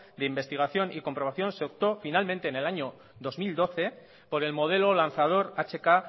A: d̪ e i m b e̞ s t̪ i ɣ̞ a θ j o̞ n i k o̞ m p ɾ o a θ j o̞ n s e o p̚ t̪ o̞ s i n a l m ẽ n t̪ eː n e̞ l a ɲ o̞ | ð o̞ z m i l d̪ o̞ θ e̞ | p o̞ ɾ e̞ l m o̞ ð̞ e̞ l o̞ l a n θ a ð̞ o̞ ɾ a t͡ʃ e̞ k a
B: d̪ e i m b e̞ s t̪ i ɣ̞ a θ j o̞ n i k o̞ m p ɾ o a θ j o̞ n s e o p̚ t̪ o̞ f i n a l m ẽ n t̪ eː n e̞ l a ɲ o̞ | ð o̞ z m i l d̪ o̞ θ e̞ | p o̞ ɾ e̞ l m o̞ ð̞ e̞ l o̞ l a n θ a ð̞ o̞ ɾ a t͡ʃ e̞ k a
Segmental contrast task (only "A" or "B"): B